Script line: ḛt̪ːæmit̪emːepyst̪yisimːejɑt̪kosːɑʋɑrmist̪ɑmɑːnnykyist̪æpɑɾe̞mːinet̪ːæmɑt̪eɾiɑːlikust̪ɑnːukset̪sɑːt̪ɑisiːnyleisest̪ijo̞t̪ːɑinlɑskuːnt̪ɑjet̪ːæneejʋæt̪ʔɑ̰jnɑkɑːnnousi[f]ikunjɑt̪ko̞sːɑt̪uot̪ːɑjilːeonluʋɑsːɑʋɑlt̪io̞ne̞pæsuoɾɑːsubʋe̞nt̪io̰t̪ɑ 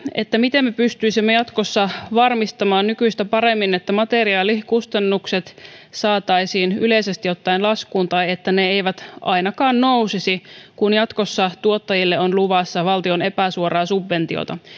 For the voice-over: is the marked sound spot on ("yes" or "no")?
no